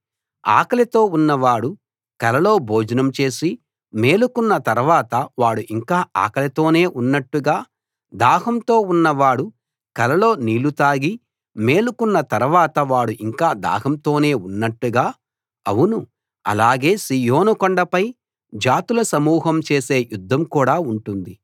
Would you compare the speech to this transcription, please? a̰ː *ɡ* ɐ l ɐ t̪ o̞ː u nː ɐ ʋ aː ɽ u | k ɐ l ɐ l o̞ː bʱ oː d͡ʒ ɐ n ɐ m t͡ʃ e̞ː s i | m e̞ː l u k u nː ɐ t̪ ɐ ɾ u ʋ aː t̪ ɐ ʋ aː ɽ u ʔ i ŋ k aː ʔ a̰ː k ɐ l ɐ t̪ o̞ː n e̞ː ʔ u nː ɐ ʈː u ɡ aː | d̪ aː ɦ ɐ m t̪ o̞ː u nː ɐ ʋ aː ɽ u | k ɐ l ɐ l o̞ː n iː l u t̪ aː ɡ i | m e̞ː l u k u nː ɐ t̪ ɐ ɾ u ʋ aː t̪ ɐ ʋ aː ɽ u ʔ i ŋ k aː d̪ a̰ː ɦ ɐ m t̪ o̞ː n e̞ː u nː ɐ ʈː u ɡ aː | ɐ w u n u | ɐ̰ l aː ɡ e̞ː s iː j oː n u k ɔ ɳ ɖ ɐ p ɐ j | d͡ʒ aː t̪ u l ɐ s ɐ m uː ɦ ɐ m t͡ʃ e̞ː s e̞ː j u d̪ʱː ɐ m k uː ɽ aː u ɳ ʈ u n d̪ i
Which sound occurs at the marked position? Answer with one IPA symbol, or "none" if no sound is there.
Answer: k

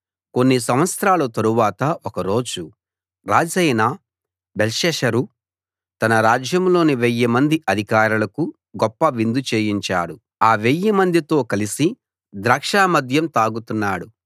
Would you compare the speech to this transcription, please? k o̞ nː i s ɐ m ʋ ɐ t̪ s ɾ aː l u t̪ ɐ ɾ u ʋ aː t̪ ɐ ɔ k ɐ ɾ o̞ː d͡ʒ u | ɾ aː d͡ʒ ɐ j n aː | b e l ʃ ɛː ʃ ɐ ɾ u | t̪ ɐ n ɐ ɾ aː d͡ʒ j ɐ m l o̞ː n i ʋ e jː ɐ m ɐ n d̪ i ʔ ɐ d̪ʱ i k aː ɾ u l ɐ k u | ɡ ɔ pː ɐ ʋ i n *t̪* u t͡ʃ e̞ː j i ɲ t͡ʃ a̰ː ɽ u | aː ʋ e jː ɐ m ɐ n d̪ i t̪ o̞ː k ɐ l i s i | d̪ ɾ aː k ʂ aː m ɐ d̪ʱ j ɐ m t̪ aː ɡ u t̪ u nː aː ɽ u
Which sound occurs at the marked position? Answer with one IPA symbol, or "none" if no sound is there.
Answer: d̪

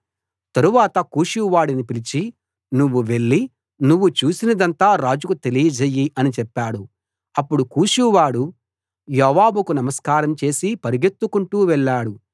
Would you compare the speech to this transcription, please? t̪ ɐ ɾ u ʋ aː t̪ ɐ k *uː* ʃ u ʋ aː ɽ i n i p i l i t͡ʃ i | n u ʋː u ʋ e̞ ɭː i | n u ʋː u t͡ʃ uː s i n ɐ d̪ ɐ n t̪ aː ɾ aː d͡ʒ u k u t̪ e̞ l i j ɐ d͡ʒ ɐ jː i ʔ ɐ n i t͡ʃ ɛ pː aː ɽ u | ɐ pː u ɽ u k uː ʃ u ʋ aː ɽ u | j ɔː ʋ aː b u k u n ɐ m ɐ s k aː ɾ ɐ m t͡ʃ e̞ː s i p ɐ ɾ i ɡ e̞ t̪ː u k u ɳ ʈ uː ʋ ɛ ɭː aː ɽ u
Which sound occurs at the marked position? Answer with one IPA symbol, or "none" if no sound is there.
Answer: uː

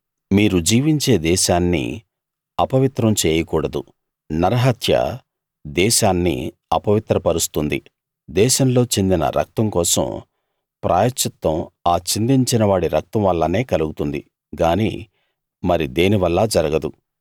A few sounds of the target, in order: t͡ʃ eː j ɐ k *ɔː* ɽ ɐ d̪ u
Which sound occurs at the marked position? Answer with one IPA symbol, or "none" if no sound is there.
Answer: uː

